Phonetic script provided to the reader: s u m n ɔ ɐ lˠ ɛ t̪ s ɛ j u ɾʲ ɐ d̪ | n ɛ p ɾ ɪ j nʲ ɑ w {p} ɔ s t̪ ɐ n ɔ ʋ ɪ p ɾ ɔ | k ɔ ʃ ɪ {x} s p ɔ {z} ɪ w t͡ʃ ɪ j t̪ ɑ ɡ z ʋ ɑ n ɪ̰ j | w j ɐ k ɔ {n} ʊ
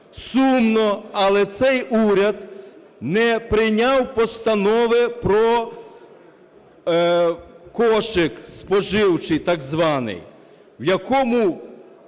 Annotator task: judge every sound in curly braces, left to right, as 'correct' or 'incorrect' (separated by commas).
correct, incorrect, incorrect, incorrect